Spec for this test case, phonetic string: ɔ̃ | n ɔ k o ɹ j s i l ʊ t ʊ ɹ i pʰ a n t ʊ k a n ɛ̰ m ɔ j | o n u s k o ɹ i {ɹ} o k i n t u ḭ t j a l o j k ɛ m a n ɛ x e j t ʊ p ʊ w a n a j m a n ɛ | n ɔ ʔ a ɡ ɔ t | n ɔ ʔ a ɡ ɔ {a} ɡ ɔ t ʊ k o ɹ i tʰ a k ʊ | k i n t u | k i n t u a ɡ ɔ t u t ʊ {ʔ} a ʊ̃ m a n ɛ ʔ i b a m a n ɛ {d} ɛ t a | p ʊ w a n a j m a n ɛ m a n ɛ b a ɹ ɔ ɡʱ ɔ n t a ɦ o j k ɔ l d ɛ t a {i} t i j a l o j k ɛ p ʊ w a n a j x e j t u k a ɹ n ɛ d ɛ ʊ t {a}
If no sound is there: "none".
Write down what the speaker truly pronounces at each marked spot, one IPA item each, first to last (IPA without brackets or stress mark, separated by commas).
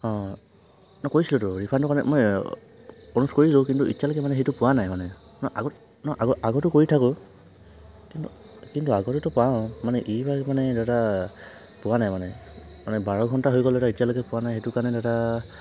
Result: l, a, p, d, i, a